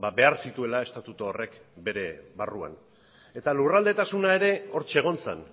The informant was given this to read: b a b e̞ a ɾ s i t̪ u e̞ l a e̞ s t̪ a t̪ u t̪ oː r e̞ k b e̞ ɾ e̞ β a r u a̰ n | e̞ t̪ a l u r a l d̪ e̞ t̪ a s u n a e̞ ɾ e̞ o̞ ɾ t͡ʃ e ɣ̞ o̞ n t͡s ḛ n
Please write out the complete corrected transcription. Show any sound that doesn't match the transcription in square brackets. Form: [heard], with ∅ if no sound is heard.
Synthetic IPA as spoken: b a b e̞ a ɾ s i t̪ u e̞ l a e̞ s t̪ a t̪ u t̪ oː r e̞ k b e̞ ɾ e̞ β a r u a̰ n | e̞ t̪ a l u r a l d̪ e̞ t̪ a s u n a e̞ ɾ e̞ o̞ ɾ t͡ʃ e ɣ̞ o̞ n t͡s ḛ n